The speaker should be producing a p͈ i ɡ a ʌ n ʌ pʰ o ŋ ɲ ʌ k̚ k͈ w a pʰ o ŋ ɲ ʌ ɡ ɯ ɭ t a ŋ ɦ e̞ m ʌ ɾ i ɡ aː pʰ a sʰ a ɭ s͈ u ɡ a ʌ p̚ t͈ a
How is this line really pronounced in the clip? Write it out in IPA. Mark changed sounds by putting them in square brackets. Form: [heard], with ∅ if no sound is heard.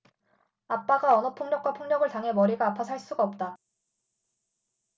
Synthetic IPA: a p͈ [a] ɡ a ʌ n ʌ pʰ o ŋ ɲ ʌ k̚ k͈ w a pʰ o ŋ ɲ ʌ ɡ ɯ ɭ t a ŋ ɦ e̞ m ʌ ɾ i ɡ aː pʰ a sʰ a ɭ s͈ u ɡ a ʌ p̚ t͈ a